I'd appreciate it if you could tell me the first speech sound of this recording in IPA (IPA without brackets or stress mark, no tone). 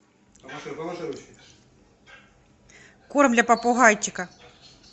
k